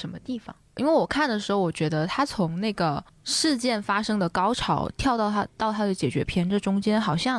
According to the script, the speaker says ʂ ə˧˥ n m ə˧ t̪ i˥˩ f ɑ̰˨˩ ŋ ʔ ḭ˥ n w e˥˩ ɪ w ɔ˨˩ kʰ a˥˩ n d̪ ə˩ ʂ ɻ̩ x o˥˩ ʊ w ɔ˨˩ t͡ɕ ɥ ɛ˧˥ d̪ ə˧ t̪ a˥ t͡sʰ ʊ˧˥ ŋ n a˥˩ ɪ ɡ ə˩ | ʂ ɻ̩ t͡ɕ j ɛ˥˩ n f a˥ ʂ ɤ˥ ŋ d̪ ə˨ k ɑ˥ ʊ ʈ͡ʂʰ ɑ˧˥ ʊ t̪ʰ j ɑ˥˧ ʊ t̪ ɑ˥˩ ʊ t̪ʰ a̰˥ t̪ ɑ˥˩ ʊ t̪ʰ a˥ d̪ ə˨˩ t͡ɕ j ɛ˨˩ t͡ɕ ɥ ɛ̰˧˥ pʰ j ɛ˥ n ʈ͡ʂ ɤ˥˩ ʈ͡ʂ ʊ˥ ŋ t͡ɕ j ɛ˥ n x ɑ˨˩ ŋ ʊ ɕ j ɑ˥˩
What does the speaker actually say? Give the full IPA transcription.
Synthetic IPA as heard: ʂ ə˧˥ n m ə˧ t̪ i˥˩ f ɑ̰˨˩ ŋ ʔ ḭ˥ n w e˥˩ ɪ w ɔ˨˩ kʰ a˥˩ n d̪ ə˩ ʂ ɻ̩ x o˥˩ ʊ w ɔ˨˩ t͡ɕ ɥ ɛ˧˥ d̪ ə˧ t̪ʰ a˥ t͡sʰ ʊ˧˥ ŋ n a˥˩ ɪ ɡ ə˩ | ʂ ɻ̩ t͡ɕ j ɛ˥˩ n f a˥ ʂ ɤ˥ ŋ d̪ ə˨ k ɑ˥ ʊ ʈ͡ʂʰ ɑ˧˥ ʊ t̪ʰ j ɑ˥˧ ʊ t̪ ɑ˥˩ ʊ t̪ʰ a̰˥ t̪ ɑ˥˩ ʊ t̪ʰ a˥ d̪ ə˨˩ t͡ɕ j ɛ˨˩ t͡ɕ ɥ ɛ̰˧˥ pʰ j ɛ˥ n ʈ͡ʂ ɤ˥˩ ʈ͡ʂ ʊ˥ ŋ t͡ɕ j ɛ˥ n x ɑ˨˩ ʊ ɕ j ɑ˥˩